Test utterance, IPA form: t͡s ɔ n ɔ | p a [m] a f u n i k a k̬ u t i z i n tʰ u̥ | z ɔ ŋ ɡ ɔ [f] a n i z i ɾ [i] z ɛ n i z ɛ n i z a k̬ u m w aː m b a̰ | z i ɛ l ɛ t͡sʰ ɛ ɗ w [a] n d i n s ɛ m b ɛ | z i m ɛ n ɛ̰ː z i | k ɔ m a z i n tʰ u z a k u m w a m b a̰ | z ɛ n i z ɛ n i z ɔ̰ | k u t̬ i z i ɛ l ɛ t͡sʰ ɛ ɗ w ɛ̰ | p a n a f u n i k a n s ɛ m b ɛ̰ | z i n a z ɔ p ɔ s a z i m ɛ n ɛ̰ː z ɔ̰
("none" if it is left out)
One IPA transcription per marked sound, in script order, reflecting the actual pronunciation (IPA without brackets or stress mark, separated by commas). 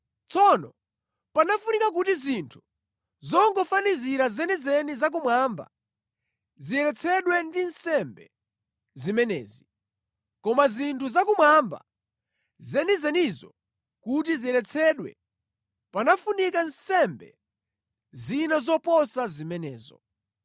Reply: n, f, a, ɛ